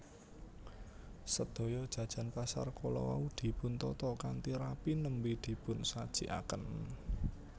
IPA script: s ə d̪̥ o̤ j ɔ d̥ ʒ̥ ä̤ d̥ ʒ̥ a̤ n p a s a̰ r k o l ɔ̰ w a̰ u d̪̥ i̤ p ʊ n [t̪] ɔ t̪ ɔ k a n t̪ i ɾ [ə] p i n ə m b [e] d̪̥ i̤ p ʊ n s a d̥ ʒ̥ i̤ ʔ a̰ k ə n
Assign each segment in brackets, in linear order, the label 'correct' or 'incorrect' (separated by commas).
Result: correct, incorrect, incorrect